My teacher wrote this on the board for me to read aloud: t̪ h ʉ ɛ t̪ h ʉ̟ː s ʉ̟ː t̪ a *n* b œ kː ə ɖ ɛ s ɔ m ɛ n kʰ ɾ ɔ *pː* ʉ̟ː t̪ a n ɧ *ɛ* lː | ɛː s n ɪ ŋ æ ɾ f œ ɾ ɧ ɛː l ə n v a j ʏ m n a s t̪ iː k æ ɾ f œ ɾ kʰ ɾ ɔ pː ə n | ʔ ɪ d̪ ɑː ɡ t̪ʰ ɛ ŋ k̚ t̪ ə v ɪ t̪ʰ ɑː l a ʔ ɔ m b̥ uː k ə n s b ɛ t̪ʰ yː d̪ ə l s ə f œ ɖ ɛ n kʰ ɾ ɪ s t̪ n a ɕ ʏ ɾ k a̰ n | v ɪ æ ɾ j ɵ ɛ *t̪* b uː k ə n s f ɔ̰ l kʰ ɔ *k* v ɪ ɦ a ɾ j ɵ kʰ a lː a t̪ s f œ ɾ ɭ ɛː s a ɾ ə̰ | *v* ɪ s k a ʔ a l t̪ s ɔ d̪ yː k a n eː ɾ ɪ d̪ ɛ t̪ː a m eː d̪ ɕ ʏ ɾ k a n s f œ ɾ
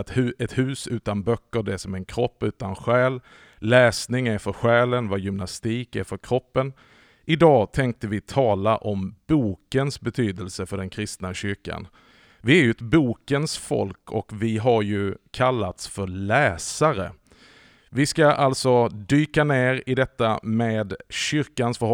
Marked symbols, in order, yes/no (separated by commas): yes, yes, no, yes, yes, yes